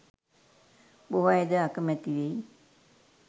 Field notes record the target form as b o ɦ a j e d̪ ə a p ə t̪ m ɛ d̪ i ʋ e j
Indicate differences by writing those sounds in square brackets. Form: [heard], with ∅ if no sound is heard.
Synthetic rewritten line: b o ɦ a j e d̪ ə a [k] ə [∅] m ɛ [t̪] i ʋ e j